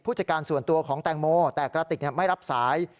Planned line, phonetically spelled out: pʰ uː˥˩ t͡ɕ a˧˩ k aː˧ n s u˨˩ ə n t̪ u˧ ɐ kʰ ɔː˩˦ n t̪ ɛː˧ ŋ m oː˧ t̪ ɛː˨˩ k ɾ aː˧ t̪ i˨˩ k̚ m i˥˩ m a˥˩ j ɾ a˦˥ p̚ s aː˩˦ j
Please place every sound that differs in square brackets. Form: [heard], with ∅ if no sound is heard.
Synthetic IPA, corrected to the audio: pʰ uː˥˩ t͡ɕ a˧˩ k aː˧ n s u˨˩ ə n t̪ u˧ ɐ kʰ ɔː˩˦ [ŋ] t̪ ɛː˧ ŋ m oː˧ t̪ ɛː˨˩ k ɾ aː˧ t̪ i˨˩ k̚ [n] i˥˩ m a˥˩ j ɾ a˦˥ p̚ s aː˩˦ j